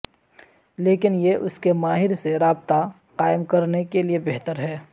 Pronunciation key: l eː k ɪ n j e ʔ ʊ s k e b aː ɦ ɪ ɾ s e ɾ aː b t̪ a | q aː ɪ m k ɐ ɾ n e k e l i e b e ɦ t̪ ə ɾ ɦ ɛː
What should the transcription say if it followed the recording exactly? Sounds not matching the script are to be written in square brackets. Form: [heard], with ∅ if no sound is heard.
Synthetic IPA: l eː k ɪ n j e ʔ ʊ s k e [m] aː ɦ ɪ ɾ s e ɾ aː b t̪ a | q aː ɪ m k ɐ ɾ n e k e l i e b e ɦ t̪ ə ɾ ɦ ɛː